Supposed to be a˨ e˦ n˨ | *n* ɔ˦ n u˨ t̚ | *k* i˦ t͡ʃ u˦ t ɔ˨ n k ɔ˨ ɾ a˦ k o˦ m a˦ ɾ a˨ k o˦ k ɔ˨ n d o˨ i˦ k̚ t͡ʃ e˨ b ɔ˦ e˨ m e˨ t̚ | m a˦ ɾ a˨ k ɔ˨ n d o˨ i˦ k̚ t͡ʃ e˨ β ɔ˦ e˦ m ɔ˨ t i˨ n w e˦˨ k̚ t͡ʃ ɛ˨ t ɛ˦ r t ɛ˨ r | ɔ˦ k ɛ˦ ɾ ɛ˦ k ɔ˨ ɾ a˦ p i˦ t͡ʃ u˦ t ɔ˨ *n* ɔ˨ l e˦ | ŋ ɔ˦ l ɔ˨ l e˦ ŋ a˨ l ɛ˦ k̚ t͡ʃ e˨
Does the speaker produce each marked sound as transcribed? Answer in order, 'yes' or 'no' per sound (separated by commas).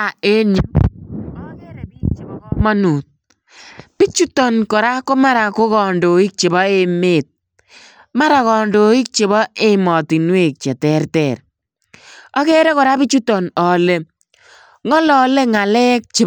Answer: no, no, yes